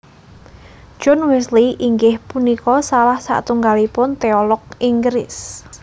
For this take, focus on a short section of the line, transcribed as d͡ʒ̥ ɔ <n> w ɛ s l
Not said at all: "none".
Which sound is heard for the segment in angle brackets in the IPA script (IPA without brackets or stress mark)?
n